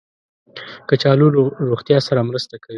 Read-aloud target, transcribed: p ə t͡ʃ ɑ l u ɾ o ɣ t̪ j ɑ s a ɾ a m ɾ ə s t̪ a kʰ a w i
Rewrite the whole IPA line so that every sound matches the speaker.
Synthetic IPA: k ə t͡ʃ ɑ l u ɾ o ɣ t̪ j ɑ s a ɾ a m ɾ ə s t̪ a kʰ a w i